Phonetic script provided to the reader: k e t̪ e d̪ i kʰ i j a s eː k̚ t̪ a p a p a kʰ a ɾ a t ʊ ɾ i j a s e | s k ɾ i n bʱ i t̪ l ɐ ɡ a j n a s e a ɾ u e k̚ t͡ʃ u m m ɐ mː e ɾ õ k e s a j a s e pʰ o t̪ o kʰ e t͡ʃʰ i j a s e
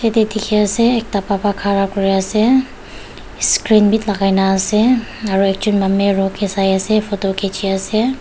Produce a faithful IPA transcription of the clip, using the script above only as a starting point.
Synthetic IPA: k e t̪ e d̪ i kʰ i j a s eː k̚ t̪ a p a p a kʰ a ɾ a k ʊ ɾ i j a s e | s k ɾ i n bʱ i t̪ l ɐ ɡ a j n a s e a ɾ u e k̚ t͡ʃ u n m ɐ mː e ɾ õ k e s a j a s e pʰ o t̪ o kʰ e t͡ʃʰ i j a s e